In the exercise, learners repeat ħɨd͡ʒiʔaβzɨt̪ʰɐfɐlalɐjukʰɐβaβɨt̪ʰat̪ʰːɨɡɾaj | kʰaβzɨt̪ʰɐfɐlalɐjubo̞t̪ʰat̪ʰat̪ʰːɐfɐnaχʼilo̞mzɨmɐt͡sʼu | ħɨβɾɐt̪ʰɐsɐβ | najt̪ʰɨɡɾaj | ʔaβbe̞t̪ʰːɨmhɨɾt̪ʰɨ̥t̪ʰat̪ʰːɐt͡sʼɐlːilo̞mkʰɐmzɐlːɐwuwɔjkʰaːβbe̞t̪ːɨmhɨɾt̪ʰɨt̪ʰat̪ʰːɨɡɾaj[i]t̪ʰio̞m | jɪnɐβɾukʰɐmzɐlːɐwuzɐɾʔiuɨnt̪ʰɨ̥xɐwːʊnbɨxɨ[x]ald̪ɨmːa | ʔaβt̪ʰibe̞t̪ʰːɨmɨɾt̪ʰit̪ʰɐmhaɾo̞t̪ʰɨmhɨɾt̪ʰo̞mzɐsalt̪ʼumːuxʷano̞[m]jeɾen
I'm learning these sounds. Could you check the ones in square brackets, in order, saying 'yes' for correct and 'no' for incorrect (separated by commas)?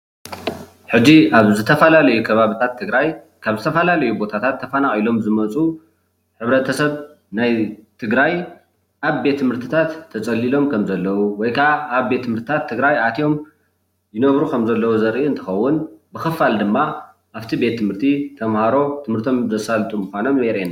no, no, yes